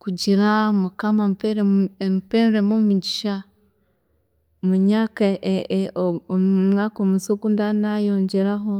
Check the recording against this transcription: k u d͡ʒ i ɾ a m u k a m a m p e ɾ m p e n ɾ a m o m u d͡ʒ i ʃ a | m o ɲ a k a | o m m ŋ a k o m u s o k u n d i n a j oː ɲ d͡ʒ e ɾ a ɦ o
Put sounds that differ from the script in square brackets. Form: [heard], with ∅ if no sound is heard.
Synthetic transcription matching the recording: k u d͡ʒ i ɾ a m u k a m a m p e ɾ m p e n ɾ [e] m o m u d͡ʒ i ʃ a | m [u] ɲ a k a | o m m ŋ a k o m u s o k u n d [a] n a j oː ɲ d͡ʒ e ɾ a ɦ o